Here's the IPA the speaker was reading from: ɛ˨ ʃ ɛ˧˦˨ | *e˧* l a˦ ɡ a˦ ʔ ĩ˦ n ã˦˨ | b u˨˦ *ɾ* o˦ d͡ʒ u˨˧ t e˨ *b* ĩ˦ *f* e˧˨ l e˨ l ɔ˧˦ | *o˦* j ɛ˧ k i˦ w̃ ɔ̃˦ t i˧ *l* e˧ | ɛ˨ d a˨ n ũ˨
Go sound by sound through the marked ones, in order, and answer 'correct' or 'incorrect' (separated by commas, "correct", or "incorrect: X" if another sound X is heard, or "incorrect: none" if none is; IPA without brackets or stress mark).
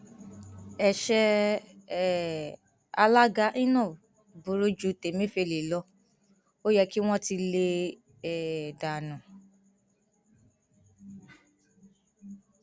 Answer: incorrect: a˧, correct, incorrect: m, correct, correct, correct